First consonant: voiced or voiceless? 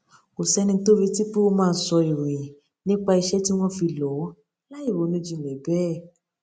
voiceless